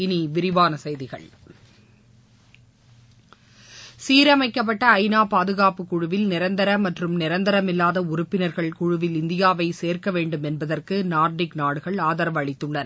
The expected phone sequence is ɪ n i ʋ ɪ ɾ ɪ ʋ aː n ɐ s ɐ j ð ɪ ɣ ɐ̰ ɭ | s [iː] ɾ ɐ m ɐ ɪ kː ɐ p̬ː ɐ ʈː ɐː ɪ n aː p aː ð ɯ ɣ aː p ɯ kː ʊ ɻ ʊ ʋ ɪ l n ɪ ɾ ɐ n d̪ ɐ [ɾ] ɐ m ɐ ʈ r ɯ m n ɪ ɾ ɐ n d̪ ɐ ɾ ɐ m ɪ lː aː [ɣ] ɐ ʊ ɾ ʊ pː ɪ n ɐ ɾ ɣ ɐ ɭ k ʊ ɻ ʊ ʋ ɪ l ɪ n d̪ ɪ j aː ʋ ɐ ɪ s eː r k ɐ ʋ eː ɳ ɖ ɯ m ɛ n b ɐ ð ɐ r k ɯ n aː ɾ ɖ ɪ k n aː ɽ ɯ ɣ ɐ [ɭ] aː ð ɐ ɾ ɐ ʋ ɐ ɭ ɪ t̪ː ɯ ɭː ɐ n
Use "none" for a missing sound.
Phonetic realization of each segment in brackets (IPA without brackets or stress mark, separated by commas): iː, ɾ, ð, ɭ